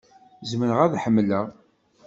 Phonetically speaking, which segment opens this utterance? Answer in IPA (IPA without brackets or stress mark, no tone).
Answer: z